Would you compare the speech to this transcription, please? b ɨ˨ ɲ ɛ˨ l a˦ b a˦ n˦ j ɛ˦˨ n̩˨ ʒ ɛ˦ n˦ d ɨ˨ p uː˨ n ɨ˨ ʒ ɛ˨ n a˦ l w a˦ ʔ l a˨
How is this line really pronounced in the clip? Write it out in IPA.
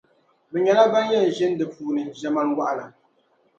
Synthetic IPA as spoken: b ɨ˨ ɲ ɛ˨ l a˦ b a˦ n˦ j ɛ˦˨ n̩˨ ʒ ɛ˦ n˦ d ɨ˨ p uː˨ n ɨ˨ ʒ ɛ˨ m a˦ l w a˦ ʔ l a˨